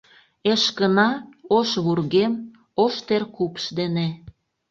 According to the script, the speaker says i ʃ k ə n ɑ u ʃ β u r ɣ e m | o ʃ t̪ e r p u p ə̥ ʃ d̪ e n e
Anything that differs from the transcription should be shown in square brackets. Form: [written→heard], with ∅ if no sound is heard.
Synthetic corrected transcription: [i→e] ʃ k ə n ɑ [u→o] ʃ β u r ɣ e m | o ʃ t̪ e r [p→k] u p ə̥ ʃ d̪ e n e